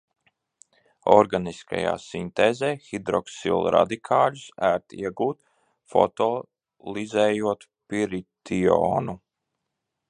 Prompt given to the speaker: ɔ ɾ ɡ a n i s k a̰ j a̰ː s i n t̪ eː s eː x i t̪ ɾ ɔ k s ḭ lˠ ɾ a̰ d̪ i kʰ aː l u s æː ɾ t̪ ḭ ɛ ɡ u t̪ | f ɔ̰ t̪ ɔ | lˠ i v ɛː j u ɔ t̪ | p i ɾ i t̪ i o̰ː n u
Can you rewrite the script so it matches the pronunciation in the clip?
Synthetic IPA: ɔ ɾ ɡ a n i s k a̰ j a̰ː s i n t̪ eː z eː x i d̪ ɾ ɔ k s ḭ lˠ ɾ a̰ d̪ i kʰ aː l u s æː ɾ t̪ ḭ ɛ ɡ uː t̪ | f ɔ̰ t̪ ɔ | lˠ i z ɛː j u ɔ t̪ | p i ɾ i t̪ i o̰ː n u